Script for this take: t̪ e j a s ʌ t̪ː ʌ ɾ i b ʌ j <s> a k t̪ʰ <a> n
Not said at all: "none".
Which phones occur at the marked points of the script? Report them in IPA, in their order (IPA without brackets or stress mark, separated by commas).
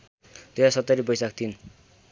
s, i